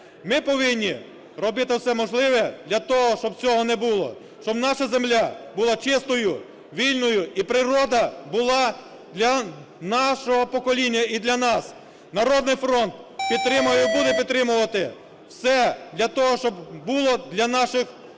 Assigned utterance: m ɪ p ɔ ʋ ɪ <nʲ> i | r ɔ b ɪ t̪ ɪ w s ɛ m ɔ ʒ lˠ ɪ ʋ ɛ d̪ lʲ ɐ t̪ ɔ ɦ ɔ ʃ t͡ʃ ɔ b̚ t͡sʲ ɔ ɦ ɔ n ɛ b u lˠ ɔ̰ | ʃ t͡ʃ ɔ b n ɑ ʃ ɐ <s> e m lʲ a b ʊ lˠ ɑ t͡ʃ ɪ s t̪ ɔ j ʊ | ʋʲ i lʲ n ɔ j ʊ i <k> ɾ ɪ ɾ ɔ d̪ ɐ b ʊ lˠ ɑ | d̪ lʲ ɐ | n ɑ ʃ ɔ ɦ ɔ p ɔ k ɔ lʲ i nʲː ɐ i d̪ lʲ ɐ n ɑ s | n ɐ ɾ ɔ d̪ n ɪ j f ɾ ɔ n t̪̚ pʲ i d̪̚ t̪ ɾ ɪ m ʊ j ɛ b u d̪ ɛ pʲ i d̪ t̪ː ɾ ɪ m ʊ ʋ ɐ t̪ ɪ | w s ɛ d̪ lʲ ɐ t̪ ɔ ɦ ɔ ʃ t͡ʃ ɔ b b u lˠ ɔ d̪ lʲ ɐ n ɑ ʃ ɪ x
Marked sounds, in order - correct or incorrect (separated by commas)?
incorrect, incorrect, incorrect